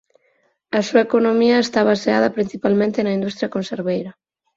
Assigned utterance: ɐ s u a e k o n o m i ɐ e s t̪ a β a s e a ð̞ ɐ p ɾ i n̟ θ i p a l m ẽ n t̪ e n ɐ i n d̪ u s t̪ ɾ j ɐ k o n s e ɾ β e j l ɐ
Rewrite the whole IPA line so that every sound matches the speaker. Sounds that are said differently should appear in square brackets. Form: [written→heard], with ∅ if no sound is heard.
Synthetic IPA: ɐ s u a e k o n o m i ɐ e s t̪ a β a s e a ð̞ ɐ p ɾ i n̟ θ i p a l m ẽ n t̪ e n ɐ i n d̪ u s t̪ ɾ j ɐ k o n s e ɾ β e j [l→ɾ] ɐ